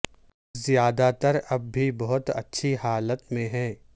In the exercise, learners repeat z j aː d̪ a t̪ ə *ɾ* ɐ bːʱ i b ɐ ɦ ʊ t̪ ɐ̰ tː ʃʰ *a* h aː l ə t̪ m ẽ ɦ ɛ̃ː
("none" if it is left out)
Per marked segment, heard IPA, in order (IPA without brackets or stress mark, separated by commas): ɾ, i